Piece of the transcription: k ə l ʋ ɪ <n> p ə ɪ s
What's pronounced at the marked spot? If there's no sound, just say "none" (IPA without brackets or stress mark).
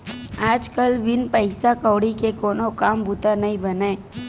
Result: n